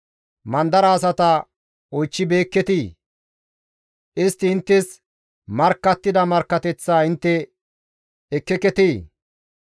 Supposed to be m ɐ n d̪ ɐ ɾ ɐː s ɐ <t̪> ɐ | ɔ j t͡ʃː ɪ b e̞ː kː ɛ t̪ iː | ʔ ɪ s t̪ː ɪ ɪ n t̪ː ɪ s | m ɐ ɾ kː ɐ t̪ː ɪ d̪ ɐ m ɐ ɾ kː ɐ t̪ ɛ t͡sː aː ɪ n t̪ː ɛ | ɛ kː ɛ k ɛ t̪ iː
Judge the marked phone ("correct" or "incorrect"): correct